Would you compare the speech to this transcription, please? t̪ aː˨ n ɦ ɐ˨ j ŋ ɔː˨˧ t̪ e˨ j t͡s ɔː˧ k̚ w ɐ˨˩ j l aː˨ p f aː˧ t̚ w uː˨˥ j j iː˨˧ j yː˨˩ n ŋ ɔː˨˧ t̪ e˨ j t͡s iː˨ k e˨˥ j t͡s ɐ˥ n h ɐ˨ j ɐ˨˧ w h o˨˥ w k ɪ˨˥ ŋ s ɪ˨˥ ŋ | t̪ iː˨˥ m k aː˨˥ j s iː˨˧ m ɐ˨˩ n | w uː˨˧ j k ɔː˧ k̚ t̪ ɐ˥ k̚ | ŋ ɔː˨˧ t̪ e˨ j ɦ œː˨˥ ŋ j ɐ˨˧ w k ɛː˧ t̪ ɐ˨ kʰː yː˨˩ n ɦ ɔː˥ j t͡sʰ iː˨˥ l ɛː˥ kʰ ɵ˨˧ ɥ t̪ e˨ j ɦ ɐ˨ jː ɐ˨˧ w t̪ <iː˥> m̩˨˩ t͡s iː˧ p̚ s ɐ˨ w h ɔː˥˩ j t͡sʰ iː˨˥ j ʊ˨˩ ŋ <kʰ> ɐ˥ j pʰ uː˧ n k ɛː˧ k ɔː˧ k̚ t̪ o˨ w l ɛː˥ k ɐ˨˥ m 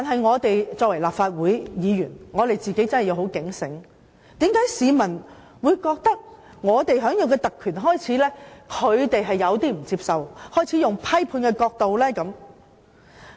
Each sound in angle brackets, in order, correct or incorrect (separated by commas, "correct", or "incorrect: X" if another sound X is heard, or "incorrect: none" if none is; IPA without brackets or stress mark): correct, incorrect: pʰ